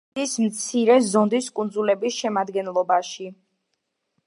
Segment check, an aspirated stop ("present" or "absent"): absent